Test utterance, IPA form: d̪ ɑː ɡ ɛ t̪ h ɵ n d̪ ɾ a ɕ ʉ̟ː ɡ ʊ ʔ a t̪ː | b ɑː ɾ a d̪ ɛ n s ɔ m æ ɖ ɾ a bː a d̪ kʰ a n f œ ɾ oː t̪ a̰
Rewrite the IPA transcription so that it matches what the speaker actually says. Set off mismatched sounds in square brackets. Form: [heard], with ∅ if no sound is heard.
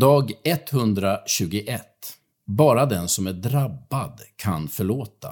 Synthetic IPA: d̪ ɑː ɡ ɛ t̪ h ɵ n d̪ ɾ a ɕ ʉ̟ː ɡ ʊ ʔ [ɛ] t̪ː | b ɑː ɾ a d̪ ɛ n s ɔ m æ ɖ ɾ a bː a d̪ kʰ a n f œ [ɭ] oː t̪ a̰